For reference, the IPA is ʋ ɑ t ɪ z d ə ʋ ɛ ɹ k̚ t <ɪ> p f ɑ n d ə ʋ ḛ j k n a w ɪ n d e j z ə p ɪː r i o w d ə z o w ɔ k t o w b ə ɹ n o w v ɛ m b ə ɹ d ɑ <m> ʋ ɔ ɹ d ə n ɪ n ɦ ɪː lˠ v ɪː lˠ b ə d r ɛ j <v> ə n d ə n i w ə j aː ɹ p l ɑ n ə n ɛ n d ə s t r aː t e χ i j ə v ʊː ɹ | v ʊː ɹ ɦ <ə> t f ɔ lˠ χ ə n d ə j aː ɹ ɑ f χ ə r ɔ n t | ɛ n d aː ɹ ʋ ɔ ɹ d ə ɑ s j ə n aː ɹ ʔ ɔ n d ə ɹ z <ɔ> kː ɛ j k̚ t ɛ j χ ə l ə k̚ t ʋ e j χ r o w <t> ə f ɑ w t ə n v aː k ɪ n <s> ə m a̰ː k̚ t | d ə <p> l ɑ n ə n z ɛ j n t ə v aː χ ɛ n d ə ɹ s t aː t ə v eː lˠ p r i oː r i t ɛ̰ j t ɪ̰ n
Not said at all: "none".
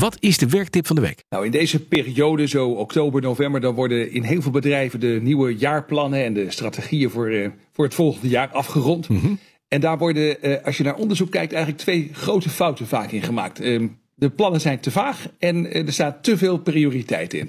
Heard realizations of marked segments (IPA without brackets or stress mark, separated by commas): ɪ, n, v, ə, u, t, χ, p